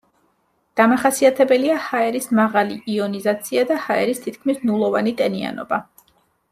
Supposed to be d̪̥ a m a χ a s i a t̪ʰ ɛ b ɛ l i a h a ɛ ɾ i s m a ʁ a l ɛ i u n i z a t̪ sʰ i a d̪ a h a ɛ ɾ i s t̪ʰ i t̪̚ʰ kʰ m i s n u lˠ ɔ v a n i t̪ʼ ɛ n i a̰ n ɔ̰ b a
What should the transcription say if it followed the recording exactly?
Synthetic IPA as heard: d̪̥ a m a χ a s i a t̪ʰ ɛ b ɛ l i a h a ɛ ɾ i s m a ʁ a l i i ɔ n i z a t̪ sʰ i a d̪ a h a ɛ ɾ i s t̪ʰ i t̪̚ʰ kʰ m i s n u lˠ ɔ v a n i t̪ʼ ɛ n i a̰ n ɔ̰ b a